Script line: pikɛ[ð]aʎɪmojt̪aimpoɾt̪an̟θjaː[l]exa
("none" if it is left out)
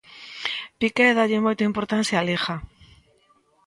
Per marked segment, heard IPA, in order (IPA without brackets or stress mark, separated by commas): ð, l